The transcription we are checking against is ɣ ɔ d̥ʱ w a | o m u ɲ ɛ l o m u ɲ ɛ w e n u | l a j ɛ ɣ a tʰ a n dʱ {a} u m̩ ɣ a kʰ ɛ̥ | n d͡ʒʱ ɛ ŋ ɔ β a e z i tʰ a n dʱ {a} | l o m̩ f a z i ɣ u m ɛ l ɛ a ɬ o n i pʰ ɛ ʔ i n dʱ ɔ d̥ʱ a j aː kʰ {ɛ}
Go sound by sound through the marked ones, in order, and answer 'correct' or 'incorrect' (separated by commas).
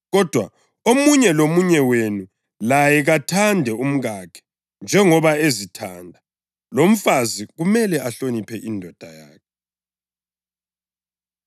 incorrect, correct, correct